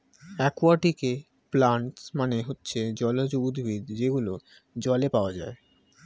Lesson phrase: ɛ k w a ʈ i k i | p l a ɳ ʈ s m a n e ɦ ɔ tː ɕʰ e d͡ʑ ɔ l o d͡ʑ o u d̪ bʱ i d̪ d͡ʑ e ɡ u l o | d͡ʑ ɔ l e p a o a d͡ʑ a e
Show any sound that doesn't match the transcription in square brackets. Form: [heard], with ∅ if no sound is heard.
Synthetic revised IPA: ɛ k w a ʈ i k [e] | p l a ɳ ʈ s m a n e ɦ [o] tː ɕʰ e d͡ʑ ɔ l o d͡ʑ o u d̪ bʱ i d̪ d͡ʑ e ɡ u l o | d͡ʑ ɔ l e p a o a d͡ʑ a e